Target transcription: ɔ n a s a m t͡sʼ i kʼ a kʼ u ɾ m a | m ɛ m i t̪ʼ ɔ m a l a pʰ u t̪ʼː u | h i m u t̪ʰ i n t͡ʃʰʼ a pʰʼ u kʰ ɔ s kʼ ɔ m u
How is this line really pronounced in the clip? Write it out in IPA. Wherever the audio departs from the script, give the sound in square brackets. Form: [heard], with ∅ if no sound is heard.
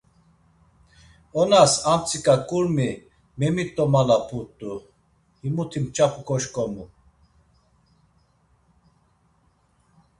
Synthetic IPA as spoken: ɔ n a s a m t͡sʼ i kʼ a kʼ u ɾ m [i] | m ɛ m i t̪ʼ ɔ m a l a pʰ u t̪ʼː u | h i m u t̪ʰ i [m] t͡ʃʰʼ a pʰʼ u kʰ ɔ [ʃ] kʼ ɔ m u